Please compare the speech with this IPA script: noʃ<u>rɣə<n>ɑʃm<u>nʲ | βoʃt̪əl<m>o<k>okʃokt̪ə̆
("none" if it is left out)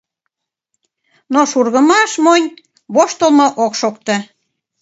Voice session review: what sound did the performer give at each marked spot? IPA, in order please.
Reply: u, m, o, m, ʔ

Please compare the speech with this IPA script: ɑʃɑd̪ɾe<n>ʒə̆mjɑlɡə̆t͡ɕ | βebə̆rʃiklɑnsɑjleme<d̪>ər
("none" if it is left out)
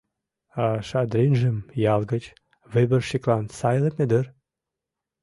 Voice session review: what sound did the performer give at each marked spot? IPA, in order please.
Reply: n, d̪

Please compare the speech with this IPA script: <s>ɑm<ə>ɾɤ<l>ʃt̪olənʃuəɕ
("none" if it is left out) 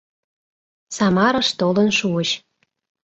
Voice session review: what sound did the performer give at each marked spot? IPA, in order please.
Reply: s, ɑ, none

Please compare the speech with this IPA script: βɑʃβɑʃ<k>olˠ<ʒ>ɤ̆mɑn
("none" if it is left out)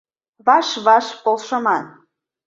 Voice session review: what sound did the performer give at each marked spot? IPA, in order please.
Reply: p, ʃ

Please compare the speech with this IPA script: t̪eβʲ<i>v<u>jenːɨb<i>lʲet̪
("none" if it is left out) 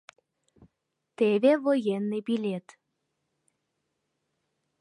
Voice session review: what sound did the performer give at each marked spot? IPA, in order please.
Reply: e, o, i

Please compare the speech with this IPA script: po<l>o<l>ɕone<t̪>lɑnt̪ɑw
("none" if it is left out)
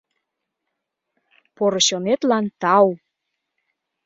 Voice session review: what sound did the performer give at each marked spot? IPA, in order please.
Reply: ɾ, none, t̪

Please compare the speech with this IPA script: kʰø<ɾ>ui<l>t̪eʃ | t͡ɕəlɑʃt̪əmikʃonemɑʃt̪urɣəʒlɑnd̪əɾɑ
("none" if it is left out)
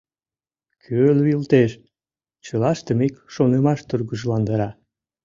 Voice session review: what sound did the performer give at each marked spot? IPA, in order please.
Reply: l, l

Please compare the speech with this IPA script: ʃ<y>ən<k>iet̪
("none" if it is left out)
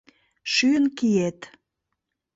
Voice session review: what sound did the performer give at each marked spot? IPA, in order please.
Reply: y, k

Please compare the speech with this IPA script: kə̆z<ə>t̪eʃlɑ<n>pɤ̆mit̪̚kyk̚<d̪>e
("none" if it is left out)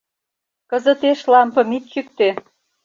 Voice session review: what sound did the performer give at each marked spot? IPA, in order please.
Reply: ə, m, t̪

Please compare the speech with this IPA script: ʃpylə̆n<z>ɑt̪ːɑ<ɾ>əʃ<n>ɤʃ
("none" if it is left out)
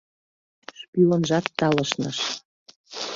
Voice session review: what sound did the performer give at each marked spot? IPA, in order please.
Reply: ʒ, l, n

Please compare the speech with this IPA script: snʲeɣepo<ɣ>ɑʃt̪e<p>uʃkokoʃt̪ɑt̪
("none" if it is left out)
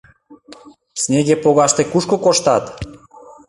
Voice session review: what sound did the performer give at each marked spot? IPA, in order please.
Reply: ɣ, k

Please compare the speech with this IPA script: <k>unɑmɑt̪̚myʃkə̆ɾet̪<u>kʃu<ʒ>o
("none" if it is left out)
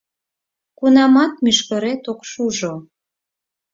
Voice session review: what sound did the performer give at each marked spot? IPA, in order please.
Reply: k, o, ʒ

